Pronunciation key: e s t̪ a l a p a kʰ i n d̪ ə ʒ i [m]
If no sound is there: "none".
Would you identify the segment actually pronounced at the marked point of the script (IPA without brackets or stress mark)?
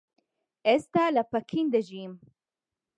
m